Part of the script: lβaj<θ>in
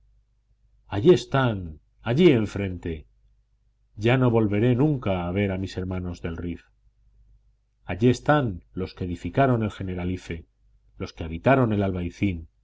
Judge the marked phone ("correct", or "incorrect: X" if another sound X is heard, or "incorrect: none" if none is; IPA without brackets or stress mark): correct